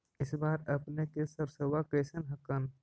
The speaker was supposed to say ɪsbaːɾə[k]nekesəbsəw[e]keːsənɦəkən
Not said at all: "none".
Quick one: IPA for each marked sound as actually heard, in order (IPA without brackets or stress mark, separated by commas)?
p, a